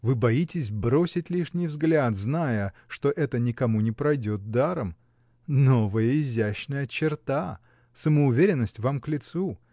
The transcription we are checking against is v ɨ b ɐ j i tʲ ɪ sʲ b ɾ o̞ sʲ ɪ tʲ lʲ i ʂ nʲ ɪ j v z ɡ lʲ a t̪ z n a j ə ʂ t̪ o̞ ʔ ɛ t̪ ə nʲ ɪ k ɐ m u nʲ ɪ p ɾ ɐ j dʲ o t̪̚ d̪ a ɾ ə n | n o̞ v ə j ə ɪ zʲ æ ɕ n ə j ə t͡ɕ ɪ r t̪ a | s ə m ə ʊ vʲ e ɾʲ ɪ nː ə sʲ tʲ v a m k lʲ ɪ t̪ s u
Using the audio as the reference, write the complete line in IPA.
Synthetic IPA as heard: v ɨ b ɐ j i tʲ ɪ sʲ b ɾ o̞ sʲ ɪ tʲ lʲ i ʂ nʲ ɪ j v z ɡ lʲ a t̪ z n a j ə ʂ t̪ o̞ ʔ ɛ t̪ ə nʲ ɪ k ɐ m u nʲ ɪ p ɾ ɐ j dʲ o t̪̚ d̪ a ɾ ə m | n o̞ v ə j ə ɪ zʲ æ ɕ n ə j ə t͡ɕ ɪ r t̪ a | s ə m ə ʊ vʲ e ɾʲ ɪ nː ə sʲ tʲ v a m k lʲ ɪ t̪ s u

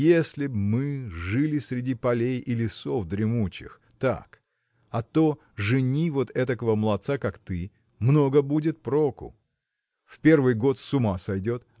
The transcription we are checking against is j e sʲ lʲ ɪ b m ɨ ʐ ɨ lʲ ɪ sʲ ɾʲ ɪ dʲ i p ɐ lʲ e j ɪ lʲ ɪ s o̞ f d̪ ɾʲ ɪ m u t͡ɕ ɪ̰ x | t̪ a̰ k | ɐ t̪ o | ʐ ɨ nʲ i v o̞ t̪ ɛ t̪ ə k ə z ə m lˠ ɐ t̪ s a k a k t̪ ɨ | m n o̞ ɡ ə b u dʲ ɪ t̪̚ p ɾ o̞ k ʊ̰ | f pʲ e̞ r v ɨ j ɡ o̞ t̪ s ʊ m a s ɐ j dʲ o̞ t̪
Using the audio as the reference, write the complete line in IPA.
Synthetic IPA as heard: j e sʲ lʲ ɪ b m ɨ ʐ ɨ lʲ ɪ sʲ ɾʲ ɪ dʲ i p ɐ lʲ e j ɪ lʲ ɪ s o̞ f d̪ ɾʲ ɪ m u t͡ɕ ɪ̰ x | t̪ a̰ k | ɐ t̪ o | ʐ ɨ nʲ i v o̞ t̪ ɛ t̪ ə k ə v ə m lˠ ɐ t̪ s a k a k t̪ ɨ | m n o̞ ɡ ə b u dʲ ɪ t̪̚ p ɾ o̞ k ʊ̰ | f pʲ e̞ r v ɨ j ɡ o̞ t̪ s ʊ m a s ɐ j dʲ o̞ t̪

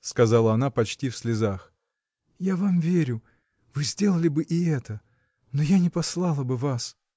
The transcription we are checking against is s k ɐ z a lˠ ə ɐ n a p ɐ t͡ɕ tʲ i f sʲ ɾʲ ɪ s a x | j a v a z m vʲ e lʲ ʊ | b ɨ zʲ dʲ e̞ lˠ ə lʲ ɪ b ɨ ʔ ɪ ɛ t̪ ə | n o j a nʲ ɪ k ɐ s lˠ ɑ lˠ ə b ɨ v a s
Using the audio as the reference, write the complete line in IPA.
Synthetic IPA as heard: s k ɐ z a lˠ ə ɐ n a p ɐ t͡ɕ tʲ i f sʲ lʲ ɪ z a x | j a v a m vʲ e ɾʲ ʊ | v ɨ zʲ dʲ e̞ lˠ ə lʲ ɪ b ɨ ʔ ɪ ɛ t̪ ə | n o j a nʲ ɪ p ɐ s lˠ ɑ lˠ ə b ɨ v a s

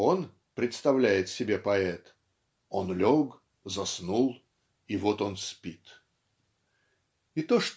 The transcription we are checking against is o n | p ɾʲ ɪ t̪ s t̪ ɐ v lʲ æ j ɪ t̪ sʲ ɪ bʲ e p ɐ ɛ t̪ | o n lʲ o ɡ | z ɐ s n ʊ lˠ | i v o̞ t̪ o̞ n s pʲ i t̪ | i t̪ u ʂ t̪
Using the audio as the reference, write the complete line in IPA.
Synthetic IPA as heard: o n | p ɾʲ ɪ t̪ s t̪ ɐ v lʲ æ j ɪ t̪ sʲ ɪ bʲ e p ɐ ɛ t̪ | o n lʲ o ɡ | z ɐ s n u lˠ | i v o̞ t̪ o̞ n s pʲ i t̪ | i t̪ o ʂ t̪

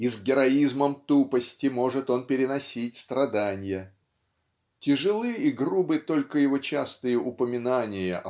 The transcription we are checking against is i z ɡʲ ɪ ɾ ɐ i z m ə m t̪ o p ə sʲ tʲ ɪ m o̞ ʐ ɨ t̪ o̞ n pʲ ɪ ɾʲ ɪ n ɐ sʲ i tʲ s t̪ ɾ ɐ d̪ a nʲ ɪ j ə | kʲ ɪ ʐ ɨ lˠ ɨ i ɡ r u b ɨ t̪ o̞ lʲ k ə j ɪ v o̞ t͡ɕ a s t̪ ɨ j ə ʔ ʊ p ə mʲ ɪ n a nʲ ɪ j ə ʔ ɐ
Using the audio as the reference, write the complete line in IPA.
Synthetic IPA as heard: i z ɡʲ ɪ ɾ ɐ i z m ə m t̪ u p ə sʲ tʲ ɪ m o̞ ʐ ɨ t̪ o̞ n pʲ ɪ ɾʲ ɪ n ɐ sʲ i tʲ s t̪ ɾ ɐ d̪ a nʲ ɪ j ə | tʲ ɪ ʐ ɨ lˠ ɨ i ɡ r u b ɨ t̪ o̞ lʲ k ə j ɪ v o̞ t͡ɕ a s t̪ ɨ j ə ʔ ʊ p ə mʲ ɪ n a nʲ ɪ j ə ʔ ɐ

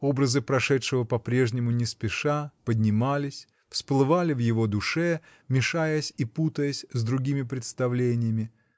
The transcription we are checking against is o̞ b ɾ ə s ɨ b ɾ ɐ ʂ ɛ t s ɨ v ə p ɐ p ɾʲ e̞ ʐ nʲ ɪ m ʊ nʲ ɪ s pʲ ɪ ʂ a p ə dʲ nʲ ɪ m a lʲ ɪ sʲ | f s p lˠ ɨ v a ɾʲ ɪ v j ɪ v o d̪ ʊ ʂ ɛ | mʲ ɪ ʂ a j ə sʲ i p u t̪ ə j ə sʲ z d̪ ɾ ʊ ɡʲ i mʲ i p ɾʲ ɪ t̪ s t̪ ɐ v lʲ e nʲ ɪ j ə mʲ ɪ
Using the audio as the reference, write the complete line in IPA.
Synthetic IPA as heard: o̞ b ɾ ə z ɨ p ɾ ɐ ʂ ɛ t ʂ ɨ v ə p ɐ p ɾʲ e̞ ʐ nʲ ɪ m ʊ nʲ ɪ s pʲ ɪ ʂ a p ə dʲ nʲ ɪ m a lʲ ɪ sʲ | f s p lˠ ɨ v a lʲ ɪ v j ɪ v o d̪ ʊ ʂ ɛ | mʲ ɪ ʂ a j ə sʲ i p u t̪ ə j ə sʲ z d̪ ɾ ʊ ɡʲ i mʲ ɪ p ɾʲ ɪ t̪ s t̪ ɐ v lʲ e nʲ ɪ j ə mʲ ɪ

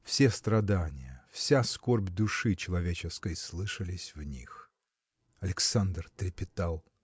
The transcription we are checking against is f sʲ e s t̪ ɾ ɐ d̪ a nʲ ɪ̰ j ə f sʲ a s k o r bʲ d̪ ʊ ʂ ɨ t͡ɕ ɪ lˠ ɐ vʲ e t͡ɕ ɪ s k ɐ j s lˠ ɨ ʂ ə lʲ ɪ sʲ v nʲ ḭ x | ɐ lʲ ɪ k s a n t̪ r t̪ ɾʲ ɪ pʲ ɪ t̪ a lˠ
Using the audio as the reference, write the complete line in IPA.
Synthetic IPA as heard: f sʲ e s t̪ ɾ ɐ d̪ a nʲ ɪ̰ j ə f sʲ a s k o r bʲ d̪ ʊ ʂ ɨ t͡ɕ ɪ lˠ ɐ vʲ e t͡ɕ ɪ s k ə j s lˠ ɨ ʂ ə lʲ ɪ sʲ v nʲ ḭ x | ɐ lʲ ɪ k s a n d̪ r t̪ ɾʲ ɪ pʲ ɪ t̪ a lˠ

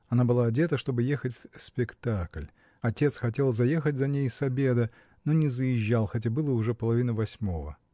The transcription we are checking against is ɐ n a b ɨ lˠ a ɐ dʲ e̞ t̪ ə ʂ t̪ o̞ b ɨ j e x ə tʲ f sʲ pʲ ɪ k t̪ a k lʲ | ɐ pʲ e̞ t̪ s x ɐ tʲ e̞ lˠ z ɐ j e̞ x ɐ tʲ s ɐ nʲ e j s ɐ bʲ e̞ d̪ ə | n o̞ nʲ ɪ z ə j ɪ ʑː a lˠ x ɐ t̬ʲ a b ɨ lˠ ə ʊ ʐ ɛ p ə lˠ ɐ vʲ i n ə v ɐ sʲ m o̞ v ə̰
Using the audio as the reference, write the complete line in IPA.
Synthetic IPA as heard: ɐ n a b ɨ lˠ a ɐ dʲ e̞ t̪ ə ʂ t̪ o̞ b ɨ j e x ə tʲ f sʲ pʲ ɪ k t̪ a k lʲ | ɐ tʲ e̞ t̪ s x ɐ tʲ e̞ lˠ z ɐ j e̞ x ə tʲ z ɐ nʲ e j s ɐ bʲ e̞ d̪ ə | n o̞ nʲ ɪ z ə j ɪ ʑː a lˠ x ɐ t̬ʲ a b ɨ lˠ ə ʊ ʐ ɛ p ə lˠ ɐ vʲ i n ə v ɐ sʲ m o̞ v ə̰

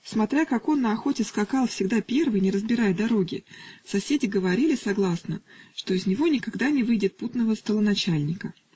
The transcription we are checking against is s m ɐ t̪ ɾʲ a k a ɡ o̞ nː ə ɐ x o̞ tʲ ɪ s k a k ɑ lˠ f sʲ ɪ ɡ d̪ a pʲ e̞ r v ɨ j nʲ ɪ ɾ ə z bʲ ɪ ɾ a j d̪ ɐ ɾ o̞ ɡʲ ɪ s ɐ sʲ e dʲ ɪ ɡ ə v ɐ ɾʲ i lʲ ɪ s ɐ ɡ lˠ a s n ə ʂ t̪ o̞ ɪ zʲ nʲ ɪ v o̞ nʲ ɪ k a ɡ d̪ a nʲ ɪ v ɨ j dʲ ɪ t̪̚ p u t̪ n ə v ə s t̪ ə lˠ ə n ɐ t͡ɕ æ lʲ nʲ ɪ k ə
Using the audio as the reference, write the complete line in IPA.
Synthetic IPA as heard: s m ɐ t̪ ɾʲ a k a k o̞ nː ə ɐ x o̞ tʲ ɪ s k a k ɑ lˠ f sʲ ɪ ɡ d̪ a pʲ e̞ r v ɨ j nʲ ɪ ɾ ə z bʲ ɪ ɾ a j d̪ ɐ ɾ o̞ ɡʲ ɪ s ɐ sʲ e dʲ ɪ ɡ ə v ɐ ɾʲ i lʲ ɪ s ɐ ɡ lˠ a s n ə ʂ t̪ o̞ ɪ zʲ nʲ ɪ v o̞ nʲ ɪ k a ɡ d̪ a nʲ ɪ v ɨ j dʲ ɪ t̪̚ p u t̪ n ə v ə s t̪ ə lˠ ə n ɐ t͡ɕ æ lʲ nʲ ɪ k ə

